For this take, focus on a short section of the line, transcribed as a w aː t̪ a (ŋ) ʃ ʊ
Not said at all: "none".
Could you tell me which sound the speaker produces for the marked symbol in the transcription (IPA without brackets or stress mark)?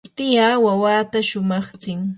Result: none